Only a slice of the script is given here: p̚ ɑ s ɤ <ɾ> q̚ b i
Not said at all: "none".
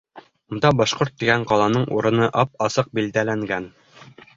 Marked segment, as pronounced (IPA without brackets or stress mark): none